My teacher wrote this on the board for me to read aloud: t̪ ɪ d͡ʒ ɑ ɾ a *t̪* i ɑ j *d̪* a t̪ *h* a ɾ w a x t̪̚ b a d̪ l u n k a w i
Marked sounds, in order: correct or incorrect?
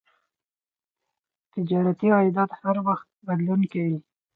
correct, correct, correct

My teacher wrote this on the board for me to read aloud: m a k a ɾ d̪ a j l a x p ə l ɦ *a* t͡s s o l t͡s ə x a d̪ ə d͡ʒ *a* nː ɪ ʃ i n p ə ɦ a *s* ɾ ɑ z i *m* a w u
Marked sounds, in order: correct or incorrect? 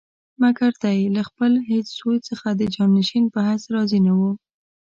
incorrect, incorrect, correct, incorrect

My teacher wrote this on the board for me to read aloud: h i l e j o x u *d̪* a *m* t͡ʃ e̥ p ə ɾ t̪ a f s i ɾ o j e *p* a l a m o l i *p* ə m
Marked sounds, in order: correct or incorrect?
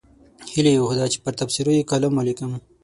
correct, incorrect, incorrect, incorrect

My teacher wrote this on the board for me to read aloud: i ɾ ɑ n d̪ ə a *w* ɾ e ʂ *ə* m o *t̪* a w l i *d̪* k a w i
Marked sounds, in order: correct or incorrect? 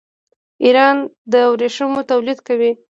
correct, correct, correct, correct

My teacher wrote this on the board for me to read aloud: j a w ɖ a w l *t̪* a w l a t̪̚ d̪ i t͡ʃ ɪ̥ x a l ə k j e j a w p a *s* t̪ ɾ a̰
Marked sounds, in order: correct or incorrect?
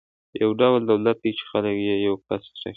incorrect, correct

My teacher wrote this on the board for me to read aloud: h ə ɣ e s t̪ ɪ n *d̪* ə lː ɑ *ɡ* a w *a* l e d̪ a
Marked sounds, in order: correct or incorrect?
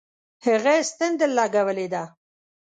correct, correct, incorrect

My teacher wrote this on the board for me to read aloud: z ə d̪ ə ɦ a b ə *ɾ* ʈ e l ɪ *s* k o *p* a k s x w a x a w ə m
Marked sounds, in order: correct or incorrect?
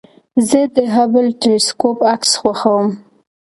incorrect, correct, correct

